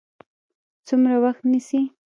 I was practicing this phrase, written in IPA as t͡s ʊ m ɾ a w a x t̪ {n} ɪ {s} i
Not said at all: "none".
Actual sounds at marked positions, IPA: n, s

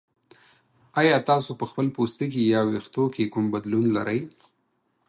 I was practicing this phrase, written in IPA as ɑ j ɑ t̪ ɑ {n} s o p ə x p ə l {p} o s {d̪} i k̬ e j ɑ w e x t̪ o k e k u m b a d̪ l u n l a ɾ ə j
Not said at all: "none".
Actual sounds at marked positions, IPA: none, p, t̪

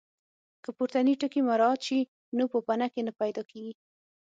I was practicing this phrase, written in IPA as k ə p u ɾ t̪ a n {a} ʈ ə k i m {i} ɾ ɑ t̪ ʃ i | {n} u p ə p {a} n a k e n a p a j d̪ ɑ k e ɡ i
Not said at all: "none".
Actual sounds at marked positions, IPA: i, a, n, a

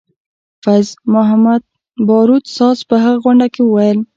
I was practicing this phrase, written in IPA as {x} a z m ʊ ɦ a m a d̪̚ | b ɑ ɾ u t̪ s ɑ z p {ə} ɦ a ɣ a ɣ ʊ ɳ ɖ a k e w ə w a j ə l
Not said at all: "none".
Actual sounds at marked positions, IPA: f, ə

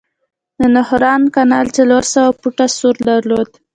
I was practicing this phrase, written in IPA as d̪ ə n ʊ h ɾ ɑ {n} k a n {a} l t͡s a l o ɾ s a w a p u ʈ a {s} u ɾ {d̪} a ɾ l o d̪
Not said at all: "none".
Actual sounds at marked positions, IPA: n, ɑ, s, d̪

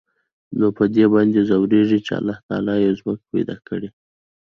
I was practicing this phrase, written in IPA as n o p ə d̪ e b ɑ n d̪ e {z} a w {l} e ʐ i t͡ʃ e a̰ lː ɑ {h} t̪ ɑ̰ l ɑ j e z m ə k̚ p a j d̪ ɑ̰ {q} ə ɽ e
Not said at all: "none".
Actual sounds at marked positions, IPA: z, ɾ, h, k

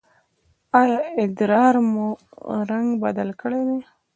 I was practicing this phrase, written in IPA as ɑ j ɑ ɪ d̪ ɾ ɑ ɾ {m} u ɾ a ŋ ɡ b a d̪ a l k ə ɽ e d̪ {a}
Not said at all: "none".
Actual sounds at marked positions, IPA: m, e

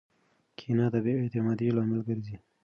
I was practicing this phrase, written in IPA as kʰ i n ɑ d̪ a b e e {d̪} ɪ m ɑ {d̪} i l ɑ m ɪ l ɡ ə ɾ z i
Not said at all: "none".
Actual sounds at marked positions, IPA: t̪, d̪

